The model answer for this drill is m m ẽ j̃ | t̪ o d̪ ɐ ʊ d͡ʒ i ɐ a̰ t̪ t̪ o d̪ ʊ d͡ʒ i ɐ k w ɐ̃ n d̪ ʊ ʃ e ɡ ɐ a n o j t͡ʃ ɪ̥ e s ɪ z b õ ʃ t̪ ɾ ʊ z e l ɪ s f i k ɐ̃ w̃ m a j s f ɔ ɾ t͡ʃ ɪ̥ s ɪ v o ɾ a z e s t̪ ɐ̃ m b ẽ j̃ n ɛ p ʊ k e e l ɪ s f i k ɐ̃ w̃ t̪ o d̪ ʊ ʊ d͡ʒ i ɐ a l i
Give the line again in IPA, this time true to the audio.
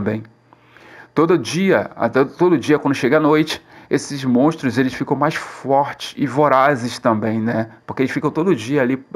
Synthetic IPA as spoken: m b ẽ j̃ | t̪ o d̪ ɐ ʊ d͡ʒ i ɐ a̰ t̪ t̪ o d̪ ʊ d͡ʒ i ɐ k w ɐ̃ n d̪ ʊ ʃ e ɡ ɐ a n o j t͡ʃ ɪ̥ e s ɪ z m õ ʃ t̪ ɾ ʊ z e l ɪ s f i k ɐ̃ w̃ m a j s f ɔ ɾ t͡ʃ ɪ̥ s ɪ v o ɾ a z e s t̪ ɐ̃ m b ẽ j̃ n ɛ p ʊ k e e l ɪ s f i k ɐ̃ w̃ t̪ o d̪ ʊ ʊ d͡ʒ i ɐ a l i